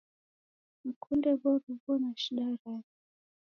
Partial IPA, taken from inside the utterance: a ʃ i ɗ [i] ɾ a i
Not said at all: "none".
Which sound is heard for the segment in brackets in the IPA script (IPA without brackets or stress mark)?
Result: a